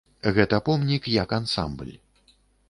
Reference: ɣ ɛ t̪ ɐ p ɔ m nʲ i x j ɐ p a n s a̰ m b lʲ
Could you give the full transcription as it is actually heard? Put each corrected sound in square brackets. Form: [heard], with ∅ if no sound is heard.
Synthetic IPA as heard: ɣ ɛ t̪ ɐ p ɔ m nʲ i [k] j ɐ [k] a n s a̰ m b lʲ

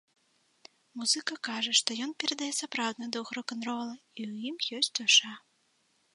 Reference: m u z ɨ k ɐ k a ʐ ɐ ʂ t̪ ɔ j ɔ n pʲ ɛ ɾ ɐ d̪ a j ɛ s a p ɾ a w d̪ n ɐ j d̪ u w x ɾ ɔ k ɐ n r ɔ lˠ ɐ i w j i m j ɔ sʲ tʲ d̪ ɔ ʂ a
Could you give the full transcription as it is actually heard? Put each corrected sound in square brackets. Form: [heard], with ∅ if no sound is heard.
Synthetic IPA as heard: m u z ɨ k ɐ k a ʐ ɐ ʂ t̪ ɔ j ɔ n pʲ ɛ ɾ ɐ d̪ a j ɛ s a p ɾ a w d̪ n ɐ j d̪ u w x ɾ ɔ k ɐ n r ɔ lˠ ɐ i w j i m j ɔ sʲ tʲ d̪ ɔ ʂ a

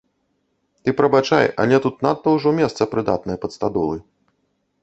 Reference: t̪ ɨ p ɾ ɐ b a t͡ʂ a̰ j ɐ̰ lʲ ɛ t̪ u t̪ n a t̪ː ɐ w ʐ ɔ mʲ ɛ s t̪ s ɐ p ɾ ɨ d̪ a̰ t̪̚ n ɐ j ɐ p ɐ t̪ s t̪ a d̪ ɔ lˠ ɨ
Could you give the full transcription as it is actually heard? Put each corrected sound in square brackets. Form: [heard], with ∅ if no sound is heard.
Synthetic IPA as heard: t̪ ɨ p ɾ ɐ b a t͡ʂ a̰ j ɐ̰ lʲ ɛ t̪ u t̪ n a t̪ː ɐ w ʐ ɔ mʲ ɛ s t̪ s ɐ p ɾ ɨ d̪ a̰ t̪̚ n ɐ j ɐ p ɐ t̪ s t̪ a d̪ ɔ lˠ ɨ

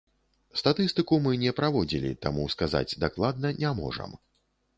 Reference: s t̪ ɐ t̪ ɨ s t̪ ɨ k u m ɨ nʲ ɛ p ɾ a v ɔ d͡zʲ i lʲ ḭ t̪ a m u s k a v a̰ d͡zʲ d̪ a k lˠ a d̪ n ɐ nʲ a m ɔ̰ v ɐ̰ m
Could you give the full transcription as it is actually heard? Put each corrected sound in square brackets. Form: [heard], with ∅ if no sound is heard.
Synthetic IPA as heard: s t̪ [a] t̪ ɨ s t̪ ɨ k u m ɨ nʲ ɛ p ɾ a v ɔ d͡zʲ i lʲ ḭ t̪ a m u s k a [z] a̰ d͡zʲ d̪ a k lˠ a d̪ n ɐ nʲ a m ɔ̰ [ʐ] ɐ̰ m

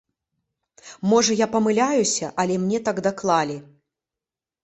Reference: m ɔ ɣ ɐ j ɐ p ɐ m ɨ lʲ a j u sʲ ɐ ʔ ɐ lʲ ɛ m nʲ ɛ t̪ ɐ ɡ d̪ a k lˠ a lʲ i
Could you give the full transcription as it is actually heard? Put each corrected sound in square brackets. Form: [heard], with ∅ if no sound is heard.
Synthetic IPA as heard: m ɔ [ʐ] ɐ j [a] p ɐ m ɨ lʲ a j u sʲ ɐ ʔ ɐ lʲ ɛ m nʲ ɛ t̪ [a] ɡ d̪ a k lˠ a lʲ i

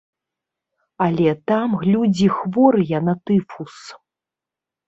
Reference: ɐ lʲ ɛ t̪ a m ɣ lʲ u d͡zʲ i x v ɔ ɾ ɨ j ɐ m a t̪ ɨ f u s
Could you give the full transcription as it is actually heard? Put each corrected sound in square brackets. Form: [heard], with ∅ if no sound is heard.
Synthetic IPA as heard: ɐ lʲ ɛ t̪ a m ɣ lʲ u d͡zʲ i x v ɔ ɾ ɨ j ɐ [n] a t̪ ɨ f u s

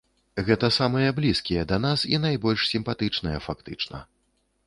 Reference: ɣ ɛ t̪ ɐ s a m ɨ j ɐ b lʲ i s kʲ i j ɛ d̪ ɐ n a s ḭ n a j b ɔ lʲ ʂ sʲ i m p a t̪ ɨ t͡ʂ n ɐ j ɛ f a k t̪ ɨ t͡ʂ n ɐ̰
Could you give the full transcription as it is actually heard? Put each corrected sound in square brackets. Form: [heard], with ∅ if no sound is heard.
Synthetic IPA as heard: ɣ ɛ t̪ ɐ s a m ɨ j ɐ b lʲ i s kʲ i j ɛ d̪ ɐ n a s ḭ n a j b ɔ lʲ ʂ sʲ i m p a t̪ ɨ t͡ʂ n ɐ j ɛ f a k t̪ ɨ t͡ʂ n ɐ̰

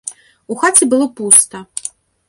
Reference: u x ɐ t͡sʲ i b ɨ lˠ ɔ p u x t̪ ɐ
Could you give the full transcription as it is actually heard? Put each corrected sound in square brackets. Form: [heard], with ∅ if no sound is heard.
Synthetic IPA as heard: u x [a] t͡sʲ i b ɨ lˠ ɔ p u [s] t̪ ɐ

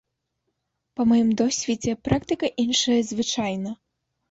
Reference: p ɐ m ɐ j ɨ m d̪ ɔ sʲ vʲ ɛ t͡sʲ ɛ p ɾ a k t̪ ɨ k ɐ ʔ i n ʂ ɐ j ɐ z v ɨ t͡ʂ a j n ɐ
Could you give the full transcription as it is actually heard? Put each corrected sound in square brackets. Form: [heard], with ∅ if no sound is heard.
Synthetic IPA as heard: p ɐ m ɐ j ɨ m d̪ ɔ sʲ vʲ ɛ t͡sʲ ɛ p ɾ a k t̪ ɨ k ɐ ʔ i n ʂ ɐ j ɐ z v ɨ t͡ʂ a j n ɐ

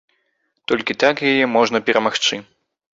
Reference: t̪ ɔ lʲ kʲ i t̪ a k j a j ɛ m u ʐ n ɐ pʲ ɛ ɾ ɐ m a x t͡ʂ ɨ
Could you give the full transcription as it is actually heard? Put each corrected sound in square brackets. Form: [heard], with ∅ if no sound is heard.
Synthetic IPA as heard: t̪ ɔ lʲ kʲ i t̪ a k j a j ɛ m [ɔ] ʐ n ɐ pʲ ɛ ɾ ɐ m a x t͡ʂ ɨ

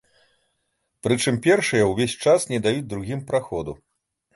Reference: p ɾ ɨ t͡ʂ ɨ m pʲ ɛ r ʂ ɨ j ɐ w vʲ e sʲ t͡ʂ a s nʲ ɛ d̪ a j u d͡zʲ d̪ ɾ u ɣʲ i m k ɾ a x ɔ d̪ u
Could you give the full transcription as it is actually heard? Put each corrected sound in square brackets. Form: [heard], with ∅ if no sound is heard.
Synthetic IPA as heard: p ɾ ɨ t͡ʂ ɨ m pʲ ɛ r ʂ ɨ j ɐ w vʲ e sʲ t͡ʂ a s nʲ ɛ d̪ a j u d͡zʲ d̪ ɾ u ɣʲ i m [p] ɾ a x ɔ d̪ u

